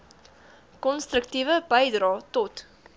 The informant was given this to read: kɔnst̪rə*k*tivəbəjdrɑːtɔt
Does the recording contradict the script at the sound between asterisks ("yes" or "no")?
no